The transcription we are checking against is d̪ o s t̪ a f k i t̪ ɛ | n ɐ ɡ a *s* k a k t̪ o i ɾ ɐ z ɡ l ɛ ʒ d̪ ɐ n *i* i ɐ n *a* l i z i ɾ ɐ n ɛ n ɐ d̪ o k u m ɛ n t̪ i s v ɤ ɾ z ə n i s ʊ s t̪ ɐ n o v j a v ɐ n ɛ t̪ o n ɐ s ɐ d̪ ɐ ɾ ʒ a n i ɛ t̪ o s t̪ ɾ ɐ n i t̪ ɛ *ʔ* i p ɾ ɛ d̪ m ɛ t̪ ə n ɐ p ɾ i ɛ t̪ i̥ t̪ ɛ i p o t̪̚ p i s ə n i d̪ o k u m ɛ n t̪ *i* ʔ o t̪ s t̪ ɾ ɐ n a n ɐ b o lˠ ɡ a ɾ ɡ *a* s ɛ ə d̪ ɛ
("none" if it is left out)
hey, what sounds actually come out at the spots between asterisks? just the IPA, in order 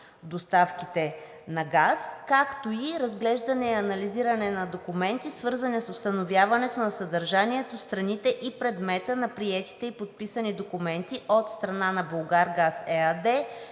s, ɛ, ɐ, ʔ, i, a

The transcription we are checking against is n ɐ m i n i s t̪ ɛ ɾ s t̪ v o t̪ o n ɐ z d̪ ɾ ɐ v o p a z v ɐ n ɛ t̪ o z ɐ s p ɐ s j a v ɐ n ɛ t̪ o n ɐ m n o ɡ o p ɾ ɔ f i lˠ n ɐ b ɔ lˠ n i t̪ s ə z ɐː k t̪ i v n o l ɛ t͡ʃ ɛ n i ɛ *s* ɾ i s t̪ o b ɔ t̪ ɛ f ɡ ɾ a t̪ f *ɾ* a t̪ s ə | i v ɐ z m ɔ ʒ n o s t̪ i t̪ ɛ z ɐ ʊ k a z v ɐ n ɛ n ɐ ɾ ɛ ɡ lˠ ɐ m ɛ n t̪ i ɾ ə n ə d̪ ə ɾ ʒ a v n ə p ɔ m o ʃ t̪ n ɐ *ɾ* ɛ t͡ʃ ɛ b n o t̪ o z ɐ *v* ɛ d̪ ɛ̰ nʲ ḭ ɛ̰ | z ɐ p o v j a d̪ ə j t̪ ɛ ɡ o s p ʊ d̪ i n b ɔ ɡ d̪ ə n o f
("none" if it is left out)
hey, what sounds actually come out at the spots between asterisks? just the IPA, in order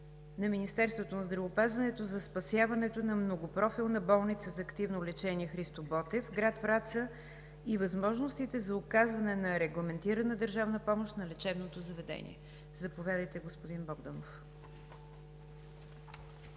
x, ɾ, l, v

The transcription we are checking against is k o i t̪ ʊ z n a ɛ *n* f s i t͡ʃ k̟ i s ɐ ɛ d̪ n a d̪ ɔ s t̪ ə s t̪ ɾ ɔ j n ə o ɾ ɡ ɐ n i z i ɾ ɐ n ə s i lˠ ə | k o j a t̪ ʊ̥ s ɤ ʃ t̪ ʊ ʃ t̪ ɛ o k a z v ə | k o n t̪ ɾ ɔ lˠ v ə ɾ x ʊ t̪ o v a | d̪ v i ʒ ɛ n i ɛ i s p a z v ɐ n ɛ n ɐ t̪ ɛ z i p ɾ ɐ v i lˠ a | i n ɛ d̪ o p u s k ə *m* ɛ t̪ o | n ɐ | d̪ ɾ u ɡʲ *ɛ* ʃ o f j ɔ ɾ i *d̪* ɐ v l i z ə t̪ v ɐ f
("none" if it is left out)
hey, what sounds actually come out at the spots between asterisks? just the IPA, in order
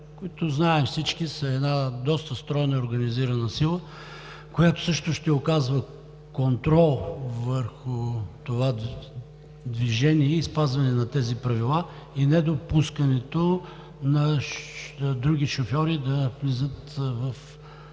m, n, i, d̪

